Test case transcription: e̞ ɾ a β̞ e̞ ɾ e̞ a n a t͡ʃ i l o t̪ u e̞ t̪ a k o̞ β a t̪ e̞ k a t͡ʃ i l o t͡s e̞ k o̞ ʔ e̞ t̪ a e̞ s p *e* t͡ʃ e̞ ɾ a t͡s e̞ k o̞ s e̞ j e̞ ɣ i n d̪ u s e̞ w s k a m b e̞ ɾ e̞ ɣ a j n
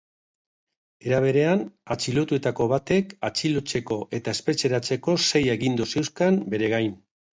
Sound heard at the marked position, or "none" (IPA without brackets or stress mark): e